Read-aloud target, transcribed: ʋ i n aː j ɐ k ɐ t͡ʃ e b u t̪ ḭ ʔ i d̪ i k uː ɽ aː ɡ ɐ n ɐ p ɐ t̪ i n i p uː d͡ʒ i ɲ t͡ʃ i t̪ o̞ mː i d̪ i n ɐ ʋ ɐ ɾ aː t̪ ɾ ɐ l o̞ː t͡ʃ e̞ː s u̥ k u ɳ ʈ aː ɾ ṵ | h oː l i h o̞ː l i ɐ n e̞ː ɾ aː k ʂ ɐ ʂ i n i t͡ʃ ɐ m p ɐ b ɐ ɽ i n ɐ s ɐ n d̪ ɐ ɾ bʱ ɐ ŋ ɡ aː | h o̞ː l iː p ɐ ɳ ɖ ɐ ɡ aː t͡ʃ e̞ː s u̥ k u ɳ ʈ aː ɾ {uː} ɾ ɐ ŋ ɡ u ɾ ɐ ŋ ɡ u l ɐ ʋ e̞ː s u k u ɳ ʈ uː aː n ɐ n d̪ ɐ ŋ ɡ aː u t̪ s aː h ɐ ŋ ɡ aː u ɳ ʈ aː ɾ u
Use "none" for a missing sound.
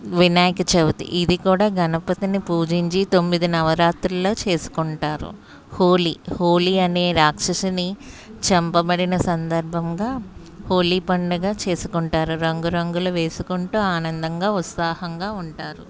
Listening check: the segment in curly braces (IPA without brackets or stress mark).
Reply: u